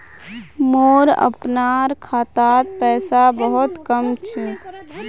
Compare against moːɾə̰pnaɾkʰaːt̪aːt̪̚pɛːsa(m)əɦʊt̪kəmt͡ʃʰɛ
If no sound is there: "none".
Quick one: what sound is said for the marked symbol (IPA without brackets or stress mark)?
b